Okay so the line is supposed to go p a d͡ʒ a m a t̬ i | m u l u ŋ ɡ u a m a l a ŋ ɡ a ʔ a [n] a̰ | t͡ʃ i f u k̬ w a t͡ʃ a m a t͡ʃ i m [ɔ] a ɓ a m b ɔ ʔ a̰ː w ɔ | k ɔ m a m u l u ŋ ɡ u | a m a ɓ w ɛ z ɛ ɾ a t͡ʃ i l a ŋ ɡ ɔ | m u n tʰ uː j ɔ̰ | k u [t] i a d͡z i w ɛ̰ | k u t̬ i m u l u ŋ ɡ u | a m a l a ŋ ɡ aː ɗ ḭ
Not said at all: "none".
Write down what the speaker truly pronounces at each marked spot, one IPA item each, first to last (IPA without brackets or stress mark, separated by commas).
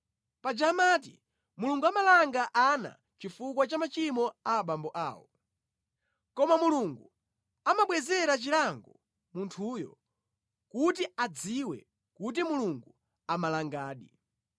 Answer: n, ɔ, t